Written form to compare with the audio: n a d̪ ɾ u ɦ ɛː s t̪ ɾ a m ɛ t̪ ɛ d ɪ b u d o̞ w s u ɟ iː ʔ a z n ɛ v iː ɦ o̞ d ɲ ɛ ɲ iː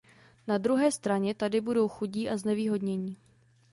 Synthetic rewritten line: n a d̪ ɾ u ɦ ɛː s t̪ ɾ a ɲ ɛ t̪ a d ɪ b u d o̞ w x u ɟ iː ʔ a z n ɛ v iː ɦ o̞ d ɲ ɛ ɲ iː